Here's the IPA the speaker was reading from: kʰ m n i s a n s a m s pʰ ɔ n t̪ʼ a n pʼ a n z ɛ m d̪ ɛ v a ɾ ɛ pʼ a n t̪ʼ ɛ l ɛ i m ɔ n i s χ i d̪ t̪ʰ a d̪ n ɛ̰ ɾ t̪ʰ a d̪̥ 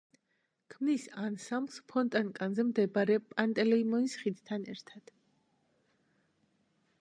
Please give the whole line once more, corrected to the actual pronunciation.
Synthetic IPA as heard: kʰ m n i s a n s a m s pʰ ɔ n t̪ʼ a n kʼ a n z ɛ m d̪ ɛ b a ɾ ɛ pʼ a n t̪ʼ ɛ l ɛ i m ɔ n i s χ i d̪ t̪ʰ a n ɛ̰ ɾ t̪ʰ a d̪̥